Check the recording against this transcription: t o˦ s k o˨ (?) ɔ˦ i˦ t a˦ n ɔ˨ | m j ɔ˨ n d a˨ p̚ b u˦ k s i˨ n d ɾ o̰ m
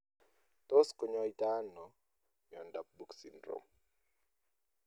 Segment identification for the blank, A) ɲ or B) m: A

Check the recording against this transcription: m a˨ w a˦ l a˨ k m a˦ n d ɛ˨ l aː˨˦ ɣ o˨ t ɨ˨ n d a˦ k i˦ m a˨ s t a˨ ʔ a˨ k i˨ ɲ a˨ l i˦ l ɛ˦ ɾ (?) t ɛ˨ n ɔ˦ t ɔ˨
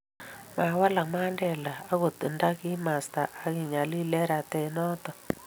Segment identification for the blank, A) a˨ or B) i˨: A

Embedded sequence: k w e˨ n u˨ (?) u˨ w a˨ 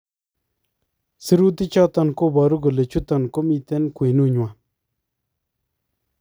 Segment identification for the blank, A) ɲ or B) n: A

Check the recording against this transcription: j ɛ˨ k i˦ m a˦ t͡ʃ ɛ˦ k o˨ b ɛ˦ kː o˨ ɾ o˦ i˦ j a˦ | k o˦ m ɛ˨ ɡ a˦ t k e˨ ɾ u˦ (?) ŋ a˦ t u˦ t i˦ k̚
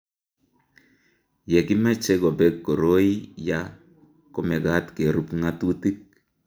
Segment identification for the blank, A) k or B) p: B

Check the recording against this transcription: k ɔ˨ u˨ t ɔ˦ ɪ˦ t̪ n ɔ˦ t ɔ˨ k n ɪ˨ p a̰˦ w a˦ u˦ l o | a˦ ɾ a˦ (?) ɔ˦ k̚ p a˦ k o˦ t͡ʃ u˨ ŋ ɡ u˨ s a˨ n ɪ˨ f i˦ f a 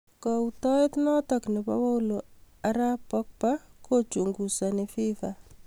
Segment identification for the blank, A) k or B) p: B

